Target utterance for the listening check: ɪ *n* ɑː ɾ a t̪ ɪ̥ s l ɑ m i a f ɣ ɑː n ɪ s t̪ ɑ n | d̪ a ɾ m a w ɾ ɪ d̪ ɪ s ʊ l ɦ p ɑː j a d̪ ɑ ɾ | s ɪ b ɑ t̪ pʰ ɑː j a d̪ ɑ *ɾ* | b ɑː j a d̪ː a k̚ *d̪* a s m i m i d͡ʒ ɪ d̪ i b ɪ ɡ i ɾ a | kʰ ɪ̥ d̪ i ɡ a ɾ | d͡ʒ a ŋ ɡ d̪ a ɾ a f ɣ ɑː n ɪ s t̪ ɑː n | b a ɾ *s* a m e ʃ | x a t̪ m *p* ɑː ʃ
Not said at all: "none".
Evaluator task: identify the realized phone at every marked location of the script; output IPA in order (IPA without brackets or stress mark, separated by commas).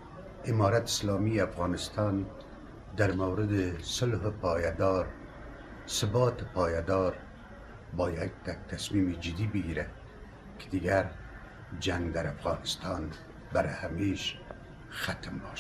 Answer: m, ɾ, t̪, h, b